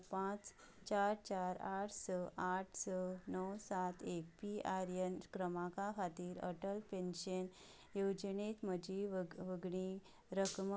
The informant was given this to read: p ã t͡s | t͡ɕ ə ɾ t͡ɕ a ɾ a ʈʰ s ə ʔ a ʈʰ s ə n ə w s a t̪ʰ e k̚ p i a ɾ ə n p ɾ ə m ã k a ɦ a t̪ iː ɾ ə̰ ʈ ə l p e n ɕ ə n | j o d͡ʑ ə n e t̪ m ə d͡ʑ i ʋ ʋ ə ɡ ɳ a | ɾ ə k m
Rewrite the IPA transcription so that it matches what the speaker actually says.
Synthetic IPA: p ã t͡s | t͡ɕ a ɾ t͡ɕ a ɾ a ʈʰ s ə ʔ a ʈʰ s ə n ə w s a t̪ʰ e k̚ p i a ɾ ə n k ɾ ə m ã k a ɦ a t̪ iː ɾ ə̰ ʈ ə l p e n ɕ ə n | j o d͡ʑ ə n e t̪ m ə d͡ʑ i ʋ ʋ ə ɡ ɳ i | ɾ ə k m